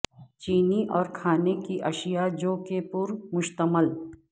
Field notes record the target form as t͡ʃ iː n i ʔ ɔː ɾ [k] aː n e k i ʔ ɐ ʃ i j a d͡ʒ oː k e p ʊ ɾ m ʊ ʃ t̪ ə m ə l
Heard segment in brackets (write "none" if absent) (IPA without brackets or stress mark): kʰ